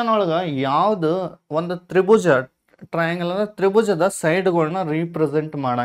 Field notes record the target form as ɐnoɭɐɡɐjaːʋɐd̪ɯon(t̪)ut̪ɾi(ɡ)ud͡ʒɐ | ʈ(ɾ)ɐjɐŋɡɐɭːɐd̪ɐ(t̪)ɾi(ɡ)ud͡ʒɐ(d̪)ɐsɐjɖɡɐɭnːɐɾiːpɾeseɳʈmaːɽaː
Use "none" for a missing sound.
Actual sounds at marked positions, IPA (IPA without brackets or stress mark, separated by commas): d̪, b, ɾ, t̪, b, d̪